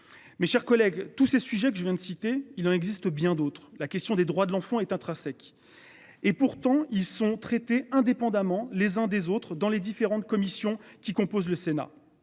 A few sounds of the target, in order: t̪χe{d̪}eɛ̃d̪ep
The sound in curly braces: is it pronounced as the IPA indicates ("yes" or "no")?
no